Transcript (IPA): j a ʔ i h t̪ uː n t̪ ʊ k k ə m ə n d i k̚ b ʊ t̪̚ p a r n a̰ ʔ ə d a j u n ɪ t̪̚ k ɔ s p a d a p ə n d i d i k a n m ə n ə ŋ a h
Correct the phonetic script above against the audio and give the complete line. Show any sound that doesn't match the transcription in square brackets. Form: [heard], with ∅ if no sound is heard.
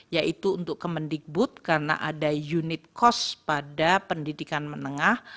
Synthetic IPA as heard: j a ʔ i [∅] t̪ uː n t̪ ʊ k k ə m ə n d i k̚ b ʊ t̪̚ [k] a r n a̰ ʔ [a] d a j u n ɪ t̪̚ k ɔ s p a d a p ə n d i d i k a n m ə n ə ŋ a h